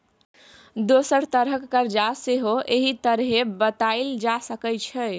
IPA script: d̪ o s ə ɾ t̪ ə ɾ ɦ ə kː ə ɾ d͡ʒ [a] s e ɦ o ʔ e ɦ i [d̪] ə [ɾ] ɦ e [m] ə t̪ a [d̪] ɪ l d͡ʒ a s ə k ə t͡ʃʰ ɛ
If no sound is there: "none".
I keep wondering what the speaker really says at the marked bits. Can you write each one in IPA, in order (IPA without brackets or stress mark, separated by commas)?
a, t̪, ɾ, b, none